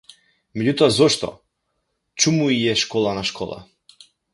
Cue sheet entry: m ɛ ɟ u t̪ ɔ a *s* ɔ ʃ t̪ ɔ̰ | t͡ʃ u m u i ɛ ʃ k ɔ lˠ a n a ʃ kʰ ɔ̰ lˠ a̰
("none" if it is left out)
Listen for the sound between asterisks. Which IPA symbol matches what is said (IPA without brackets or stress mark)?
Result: z